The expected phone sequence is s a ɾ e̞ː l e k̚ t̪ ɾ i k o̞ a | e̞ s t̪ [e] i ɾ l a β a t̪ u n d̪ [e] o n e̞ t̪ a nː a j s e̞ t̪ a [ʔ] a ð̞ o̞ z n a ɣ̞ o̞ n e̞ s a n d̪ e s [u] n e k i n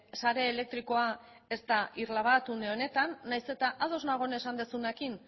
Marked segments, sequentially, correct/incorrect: incorrect: a, correct, correct, correct

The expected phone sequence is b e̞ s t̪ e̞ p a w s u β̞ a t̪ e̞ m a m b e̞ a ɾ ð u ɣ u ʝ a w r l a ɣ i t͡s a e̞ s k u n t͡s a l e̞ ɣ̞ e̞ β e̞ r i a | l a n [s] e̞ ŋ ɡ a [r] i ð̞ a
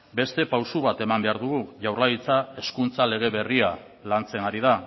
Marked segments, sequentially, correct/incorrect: incorrect: t͡s, incorrect: ɾ

